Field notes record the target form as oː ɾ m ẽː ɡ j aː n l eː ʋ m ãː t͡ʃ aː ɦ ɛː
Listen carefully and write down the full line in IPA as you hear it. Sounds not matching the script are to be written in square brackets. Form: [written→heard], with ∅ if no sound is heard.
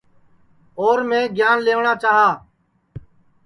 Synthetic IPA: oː ɾ m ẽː ɡ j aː n l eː ʋ [m→ɳ] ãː t͡ʃ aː ɦ [ɛː→aː]